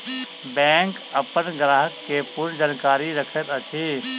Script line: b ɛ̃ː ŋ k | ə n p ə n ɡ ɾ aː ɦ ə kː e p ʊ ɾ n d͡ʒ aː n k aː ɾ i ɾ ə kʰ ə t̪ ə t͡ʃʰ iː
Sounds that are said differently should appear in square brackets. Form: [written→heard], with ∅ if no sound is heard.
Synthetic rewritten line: b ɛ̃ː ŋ k | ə [n→∅] p ə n ɡ ɾ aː ɦ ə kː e p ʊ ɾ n d͡ʒ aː n k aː ɾ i ɾ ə kʰ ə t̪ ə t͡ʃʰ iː